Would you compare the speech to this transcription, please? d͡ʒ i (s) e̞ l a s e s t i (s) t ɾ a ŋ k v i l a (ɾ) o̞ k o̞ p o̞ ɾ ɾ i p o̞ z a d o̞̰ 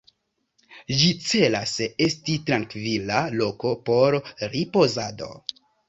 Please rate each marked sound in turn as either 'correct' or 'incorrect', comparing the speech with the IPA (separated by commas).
incorrect, incorrect, incorrect